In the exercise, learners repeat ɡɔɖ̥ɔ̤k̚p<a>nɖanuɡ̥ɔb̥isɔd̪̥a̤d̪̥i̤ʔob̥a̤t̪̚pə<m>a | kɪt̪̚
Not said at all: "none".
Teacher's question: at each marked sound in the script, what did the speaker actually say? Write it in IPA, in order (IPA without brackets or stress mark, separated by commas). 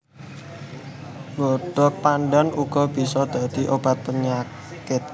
a, ɲ